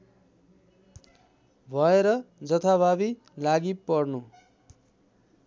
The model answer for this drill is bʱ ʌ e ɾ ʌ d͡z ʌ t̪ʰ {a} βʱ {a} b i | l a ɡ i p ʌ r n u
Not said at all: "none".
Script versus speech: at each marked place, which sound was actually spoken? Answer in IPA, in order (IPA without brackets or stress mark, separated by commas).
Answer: a, a